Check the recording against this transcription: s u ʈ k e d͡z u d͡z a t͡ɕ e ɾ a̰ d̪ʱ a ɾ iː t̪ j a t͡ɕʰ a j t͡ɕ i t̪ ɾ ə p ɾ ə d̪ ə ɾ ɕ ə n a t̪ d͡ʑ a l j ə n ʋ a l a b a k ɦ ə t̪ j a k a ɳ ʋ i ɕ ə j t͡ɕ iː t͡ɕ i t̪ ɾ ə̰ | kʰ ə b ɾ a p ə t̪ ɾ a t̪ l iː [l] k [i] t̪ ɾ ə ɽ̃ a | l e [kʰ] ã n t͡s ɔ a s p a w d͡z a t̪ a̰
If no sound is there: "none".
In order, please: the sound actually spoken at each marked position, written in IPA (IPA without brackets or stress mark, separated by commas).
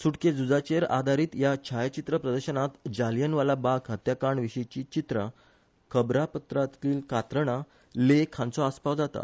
l, a, kʰ